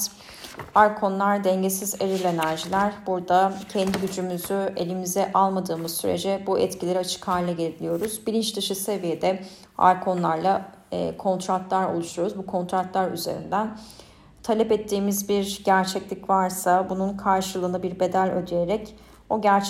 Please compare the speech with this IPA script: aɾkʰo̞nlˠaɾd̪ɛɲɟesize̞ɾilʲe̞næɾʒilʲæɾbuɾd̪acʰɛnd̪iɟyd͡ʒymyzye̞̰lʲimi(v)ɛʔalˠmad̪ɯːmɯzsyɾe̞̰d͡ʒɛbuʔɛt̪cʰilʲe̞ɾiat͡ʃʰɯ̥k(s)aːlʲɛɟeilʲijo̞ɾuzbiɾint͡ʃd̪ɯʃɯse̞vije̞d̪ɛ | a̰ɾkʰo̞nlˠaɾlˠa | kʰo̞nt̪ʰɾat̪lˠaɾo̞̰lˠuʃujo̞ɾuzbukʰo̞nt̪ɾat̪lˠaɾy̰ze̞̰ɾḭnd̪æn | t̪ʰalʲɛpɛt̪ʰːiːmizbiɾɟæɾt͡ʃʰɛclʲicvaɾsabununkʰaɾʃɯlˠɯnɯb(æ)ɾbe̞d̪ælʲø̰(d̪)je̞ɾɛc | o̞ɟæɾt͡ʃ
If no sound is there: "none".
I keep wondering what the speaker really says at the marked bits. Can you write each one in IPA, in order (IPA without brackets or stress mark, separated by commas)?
z, h, i, d̪